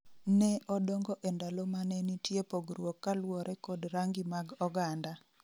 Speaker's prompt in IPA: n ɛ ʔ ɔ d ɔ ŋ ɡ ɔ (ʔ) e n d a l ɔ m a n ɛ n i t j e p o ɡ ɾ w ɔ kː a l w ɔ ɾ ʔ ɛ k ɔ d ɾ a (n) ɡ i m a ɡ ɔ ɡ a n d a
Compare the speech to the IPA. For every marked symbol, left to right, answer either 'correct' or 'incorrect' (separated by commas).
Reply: correct, incorrect